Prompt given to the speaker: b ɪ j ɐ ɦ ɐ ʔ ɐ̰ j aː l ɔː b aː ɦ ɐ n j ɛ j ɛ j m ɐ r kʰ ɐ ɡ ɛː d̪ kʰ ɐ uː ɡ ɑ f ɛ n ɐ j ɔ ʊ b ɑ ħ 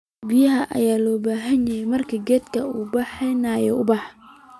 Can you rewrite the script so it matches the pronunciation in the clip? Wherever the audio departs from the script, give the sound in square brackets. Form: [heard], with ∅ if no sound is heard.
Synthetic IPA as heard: b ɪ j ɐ ɦ ɐ ʔ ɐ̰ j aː l ɔː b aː ɦ ɐ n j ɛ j ɛ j m ɐ r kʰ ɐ ɡ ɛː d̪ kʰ ɐ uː [b] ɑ [ħ] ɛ n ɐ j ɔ ʊ b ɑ ħ

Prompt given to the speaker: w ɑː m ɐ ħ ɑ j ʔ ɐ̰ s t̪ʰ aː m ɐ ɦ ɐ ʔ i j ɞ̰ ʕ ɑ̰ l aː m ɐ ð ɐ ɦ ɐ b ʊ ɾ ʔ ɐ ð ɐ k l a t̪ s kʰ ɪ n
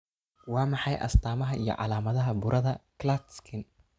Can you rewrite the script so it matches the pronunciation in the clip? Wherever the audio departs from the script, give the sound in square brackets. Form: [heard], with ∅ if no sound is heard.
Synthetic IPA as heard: w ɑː m [ɑ] ħ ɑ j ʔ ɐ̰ s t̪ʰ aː m ɐ ɦ ɐ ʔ i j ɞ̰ ʕ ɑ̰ l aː m ɐ ð ɐ ɦ ɐ b ʊ ɾ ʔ ɐ ð ɐ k l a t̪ s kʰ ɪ n

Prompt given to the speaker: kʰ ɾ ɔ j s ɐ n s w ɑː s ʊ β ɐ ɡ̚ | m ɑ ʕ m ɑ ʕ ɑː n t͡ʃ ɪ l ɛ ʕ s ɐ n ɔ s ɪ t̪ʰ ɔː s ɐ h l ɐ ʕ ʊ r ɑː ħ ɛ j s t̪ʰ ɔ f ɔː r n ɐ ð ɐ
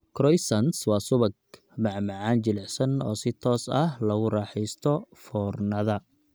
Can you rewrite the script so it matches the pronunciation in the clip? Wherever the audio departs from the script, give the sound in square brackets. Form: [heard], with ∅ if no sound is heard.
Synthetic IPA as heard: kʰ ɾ ɔ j s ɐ n s w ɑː s ʊ β ɐ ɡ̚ | m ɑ ʕ m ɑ ʕ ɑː n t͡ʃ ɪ l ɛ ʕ s ɐ n [ɔː] s ɪ t̪ʰ ɔː s ɐ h l ɐ [ɣ] ʊ r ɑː ħ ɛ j s t̪ʰ ɔ f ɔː r n ɐ ð ɐ

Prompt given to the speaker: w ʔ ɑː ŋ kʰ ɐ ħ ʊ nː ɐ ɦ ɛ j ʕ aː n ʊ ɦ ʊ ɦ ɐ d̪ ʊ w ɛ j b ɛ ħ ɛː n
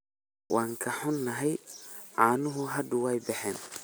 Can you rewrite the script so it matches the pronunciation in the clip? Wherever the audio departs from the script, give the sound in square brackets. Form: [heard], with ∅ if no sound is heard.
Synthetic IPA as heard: w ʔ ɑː ŋ kʰ ɐ ħ ʊ nː ɐ ɦ ɛ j ʕ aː n ʊ ɦ ʊ ɦ ɐ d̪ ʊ w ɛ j b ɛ ħ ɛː n

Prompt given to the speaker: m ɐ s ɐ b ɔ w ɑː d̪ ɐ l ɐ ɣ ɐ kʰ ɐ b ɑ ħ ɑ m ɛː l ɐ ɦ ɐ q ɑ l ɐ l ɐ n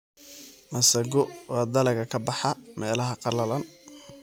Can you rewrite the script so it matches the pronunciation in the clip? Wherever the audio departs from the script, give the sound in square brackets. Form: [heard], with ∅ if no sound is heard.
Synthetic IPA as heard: m ɐ s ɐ [ɡ] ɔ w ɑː d̪ ɐ l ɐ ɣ ɐ kʰ ɐ b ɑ ħ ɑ m ɛː l ɐ ɦ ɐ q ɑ l ɐ l ɐ n

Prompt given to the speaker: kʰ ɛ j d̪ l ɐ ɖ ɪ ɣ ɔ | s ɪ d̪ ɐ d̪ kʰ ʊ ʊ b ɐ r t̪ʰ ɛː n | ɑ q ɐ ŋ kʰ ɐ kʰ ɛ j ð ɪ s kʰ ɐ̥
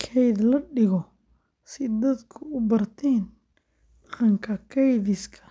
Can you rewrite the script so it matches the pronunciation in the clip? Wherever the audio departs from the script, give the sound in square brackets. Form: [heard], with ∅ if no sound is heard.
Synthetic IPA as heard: kʰ ɛ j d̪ l ɐ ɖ ɪ ɣ ɔ | s ɪ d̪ ɐ d̪ kʰ ʊ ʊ b ɐ r t̪ʰ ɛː n | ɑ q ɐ ŋ kʰ ɐ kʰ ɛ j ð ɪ s kʰ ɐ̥

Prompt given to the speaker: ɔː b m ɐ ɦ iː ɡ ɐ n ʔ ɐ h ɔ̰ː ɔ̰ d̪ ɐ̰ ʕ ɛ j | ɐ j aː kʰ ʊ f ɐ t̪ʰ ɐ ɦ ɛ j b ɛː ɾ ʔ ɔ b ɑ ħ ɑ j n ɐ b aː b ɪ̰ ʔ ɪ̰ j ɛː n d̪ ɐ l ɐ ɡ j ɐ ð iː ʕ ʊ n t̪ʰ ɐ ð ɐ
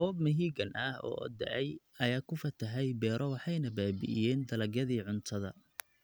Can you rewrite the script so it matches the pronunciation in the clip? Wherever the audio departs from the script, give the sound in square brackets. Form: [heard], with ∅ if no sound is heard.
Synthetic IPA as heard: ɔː b m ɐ ɦ iː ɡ ɐ n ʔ ɐ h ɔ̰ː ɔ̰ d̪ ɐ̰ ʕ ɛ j | ɐ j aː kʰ ʊ f ɐ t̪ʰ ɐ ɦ ɛ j b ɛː ɾ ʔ ɔ [w] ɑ ħ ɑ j n ɐ b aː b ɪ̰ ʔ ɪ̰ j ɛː n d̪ ɐ l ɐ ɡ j ɐ ð iː ʕ ʊ n t̪ʰ ɐ ð ɐ

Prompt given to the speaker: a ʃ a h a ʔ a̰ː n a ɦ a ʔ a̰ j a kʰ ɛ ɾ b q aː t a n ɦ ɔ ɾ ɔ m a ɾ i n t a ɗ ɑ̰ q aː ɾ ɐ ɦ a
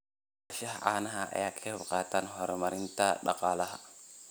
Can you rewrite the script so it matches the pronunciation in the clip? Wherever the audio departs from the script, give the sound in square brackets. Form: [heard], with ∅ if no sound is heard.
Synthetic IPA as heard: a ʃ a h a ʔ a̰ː n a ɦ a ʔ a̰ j a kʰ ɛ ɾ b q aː t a n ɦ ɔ ɾ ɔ m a ɾ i n t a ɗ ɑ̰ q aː [l] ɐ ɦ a

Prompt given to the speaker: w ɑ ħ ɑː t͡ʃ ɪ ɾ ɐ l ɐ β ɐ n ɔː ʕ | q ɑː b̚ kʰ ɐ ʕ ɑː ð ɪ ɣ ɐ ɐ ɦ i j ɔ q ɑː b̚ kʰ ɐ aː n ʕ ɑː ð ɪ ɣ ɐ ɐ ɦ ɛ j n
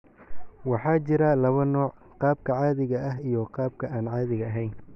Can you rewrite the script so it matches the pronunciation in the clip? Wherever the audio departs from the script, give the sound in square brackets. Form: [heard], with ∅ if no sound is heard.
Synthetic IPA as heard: w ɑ ħ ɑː t͡ʃ ɪ ɾ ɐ l ɐ β ɐ n ɔː ʕ | q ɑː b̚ kʰ ɐ ʕ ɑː ð ɪ ɣ ɐ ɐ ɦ i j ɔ q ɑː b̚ kʰ ɐ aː n ʕ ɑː ð ɪ ɣ ɐ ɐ ɦ ɛ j n

